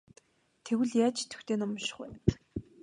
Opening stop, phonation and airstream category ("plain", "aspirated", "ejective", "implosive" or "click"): aspirated